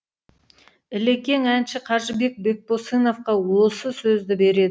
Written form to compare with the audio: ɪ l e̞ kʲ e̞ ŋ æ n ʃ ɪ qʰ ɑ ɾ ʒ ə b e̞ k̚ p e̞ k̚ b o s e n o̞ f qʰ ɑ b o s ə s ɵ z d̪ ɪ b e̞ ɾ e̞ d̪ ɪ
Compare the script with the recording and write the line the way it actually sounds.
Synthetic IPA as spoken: ɪ l e̞ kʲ e̞ ŋ æ n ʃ ɪ qʰ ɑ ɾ ʒ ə b e̞ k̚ b e̞ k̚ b o s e n o̞ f q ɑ w o s ə s ɵ z d̪ ɪ b e̞ ɾ e̞ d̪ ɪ